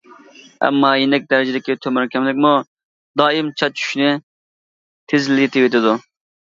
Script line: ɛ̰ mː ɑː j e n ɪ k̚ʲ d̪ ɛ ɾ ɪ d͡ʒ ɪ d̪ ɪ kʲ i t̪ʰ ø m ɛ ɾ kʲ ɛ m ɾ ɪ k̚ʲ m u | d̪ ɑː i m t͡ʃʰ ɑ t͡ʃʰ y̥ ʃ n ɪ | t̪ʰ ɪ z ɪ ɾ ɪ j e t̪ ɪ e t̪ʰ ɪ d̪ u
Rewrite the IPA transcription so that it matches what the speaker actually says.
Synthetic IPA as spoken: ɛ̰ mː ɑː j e n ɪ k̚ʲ d̪ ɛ ɾ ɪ d͡ʒ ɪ d̪ ɪ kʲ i t̪ʰ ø m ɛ ɾ kʲ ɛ m l ɪ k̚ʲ m u | d̪ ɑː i m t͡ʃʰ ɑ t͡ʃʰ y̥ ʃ n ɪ | t̪ʰ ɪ z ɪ l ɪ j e t̪ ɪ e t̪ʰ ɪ d̪ u